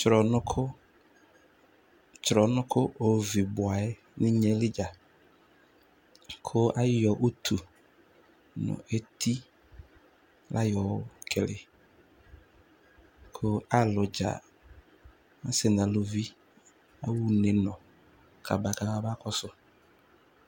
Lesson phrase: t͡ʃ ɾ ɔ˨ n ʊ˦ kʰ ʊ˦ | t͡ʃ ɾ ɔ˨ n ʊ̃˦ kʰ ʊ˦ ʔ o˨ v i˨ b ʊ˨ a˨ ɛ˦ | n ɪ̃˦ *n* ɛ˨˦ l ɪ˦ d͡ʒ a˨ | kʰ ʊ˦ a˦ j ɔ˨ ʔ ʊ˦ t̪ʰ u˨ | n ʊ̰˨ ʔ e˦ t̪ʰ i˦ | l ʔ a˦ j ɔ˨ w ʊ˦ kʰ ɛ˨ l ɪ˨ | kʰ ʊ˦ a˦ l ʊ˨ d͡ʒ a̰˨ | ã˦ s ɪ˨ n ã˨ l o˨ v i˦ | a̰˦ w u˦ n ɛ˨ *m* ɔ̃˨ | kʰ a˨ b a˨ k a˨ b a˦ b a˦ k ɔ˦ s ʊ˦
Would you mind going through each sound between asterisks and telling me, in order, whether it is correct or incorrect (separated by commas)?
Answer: incorrect, incorrect